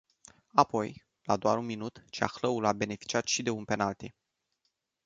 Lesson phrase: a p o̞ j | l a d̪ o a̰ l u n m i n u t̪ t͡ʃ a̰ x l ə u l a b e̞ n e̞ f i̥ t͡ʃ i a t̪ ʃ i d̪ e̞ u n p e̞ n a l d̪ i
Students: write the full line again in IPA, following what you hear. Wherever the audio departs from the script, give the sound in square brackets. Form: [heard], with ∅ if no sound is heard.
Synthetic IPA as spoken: a p o̞ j | l a d̪ o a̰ [ɾ] u n m i n u t̪ t͡ʃ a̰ x l ə u l a b e̞ n e̞ f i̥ t͡ʃ i a t̪ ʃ i d̪ e̞ u n p e̞ n a l [t̪] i

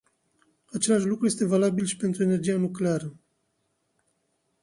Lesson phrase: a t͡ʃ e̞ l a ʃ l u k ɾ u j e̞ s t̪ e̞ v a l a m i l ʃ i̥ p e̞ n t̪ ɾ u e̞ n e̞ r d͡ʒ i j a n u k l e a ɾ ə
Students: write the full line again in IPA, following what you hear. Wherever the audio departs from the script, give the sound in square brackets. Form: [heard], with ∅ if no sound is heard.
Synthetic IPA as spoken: a t͡ʃ e̞ l a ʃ l u k ɾ u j e̞ s t̪ e̞ v a l a [b] i l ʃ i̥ p e̞ n t̪ ɾ u e̞ n e̞ r d͡ʒ i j a n u k l e a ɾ ə

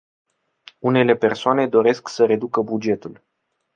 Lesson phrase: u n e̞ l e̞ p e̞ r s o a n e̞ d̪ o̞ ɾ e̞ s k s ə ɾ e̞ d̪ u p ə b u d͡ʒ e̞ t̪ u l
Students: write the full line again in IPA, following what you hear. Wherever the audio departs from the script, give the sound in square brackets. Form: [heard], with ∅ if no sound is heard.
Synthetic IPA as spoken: u n e̞ l e̞ p e̞ r s o a n e̞ d̪ o̞ ɾ e̞ s k s ə ɾ e̞ d̪ u [k] ə b u d͡ʒ e̞ t̪ u l

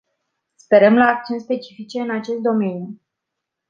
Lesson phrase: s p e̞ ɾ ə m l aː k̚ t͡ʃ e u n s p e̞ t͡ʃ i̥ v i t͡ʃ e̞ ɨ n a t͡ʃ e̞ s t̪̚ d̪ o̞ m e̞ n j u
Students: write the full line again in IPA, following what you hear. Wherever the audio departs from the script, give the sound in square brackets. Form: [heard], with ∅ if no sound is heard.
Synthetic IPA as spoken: s p e̞ ɾ ə m l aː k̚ t͡ʃ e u n s p e̞ t͡ʃ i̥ [f] i t͡ʃ e̞ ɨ n a t͡ʃ e̞ s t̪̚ d̪ o̞ m e̞ n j u

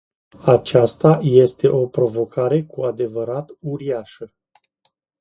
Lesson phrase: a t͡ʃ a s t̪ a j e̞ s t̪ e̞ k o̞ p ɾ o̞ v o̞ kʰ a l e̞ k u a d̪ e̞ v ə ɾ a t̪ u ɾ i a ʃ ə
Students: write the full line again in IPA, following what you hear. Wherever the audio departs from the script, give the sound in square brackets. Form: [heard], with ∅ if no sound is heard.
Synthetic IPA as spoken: a t͡ʃ a s t̪ a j e̞ s t̪ e̞ [ʔ] o̞ p ɾ o̞ v o̞ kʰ a [ɾ] e̞ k u a d̪ e̞ v ə ɾ a t̪ u ɾ i a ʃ ə

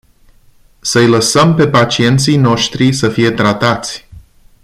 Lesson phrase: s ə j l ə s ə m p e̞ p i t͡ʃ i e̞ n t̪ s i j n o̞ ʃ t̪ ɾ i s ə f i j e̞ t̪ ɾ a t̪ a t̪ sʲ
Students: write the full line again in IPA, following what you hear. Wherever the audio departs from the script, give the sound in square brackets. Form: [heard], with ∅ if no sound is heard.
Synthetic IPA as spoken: s ə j l ə s ə m p e̞ p [a] t͡ʃ i e̞ n t̪ s i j n o̞ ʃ t̪ ɾ i s ə f i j e̞ t̪ ɾ a t̪ a t̪ sʲ

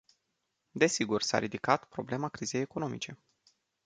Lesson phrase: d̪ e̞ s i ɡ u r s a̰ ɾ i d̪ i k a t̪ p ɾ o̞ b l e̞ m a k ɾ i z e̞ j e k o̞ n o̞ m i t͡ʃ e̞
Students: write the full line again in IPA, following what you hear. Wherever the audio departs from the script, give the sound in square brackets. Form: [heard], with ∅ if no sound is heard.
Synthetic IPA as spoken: d̪ e̞ s i ɡ u r s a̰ ɾ i d̪ i k a t̪ p ɾ o̞ b l e̞ m a k ɾ i z e̞ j e k o̞ n o̞ m i t͡ʃ e̞

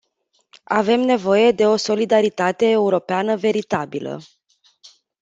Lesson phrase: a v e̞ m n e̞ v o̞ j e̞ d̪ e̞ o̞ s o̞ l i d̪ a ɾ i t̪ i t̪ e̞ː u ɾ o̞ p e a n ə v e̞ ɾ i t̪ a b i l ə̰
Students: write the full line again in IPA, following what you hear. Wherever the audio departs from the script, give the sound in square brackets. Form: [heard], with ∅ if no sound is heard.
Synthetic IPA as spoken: a v e̞ m n e̞ v o̞ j e̞ d̪ e̞ o̞ s o̞ l i d̪ a ɾ i t̪ [a] t̪ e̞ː u ɾ o̞ p e a n ə v e̞ ɾ i t̪ a b i l ə̰

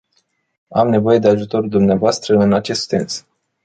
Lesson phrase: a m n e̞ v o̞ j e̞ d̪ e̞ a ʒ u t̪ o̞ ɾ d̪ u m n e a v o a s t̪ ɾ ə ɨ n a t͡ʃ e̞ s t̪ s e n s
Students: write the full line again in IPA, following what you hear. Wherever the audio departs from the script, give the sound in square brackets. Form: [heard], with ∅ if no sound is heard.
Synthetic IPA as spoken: a m n e̞ v o̞ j e̞ d̪ e̞ a ʒ u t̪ o̞ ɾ d̪ u m n e a v o a s t̪ ɾ ə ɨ n a t͡ʃ e̞ s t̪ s e n s

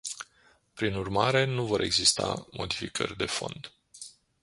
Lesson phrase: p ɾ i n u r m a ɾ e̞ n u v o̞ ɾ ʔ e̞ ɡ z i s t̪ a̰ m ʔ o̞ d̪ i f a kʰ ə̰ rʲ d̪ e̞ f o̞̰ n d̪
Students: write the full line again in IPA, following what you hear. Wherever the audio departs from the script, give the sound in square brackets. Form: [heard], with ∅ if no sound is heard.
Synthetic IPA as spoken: p ɾ i n u r m a ɾ e̞ n u v o̞ ɾ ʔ e̞ ɡ z i s t̪ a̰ m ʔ o̞ d̪ i f [i] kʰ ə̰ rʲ d̪ e̞ f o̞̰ n d̪

